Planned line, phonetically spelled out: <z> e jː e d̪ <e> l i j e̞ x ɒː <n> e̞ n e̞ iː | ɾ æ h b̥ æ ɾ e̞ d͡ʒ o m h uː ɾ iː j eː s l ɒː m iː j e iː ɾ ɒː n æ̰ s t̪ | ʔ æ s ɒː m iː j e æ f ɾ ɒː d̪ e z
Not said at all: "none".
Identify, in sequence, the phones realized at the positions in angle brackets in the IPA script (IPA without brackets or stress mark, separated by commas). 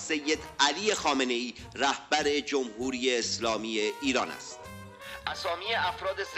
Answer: s, æ, m